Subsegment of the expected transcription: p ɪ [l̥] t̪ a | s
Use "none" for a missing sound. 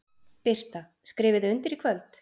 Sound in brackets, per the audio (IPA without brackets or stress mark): r̥